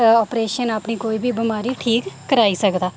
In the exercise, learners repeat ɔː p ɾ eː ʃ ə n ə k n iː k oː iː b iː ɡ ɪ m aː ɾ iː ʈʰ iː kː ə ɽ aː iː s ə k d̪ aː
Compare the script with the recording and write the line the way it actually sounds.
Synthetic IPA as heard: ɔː p ɾ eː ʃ ə n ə p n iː k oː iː b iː b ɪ m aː ɾ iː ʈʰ iː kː ə ɾ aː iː s ə k d̪ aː